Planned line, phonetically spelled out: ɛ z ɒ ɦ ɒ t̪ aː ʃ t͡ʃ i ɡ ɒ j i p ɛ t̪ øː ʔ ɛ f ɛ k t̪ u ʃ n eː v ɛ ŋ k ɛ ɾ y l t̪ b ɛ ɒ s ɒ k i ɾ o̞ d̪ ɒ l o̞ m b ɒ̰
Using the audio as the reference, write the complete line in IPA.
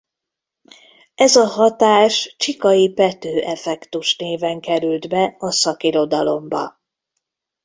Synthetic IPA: ɛ z ɒ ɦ ɒ t̪ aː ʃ t͡ʃ i k ɒ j i p ɛ t̪ øː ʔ ɛ f ɛ k t̪ u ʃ n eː v ɛ ŋ k ɛ ɾ y l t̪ b ɛ ɒ s ɒ k i ɾ o̞ d̪ ɒ l o̞ m b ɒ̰